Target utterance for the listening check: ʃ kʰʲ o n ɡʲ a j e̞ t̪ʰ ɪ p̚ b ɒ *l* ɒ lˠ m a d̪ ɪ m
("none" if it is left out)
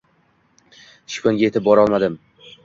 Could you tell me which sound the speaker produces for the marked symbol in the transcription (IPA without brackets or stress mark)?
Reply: ɾ